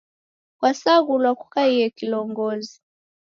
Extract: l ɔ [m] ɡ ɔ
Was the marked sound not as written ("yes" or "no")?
yes